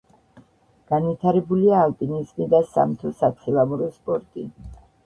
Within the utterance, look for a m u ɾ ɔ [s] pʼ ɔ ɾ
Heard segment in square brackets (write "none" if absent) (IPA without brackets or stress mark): s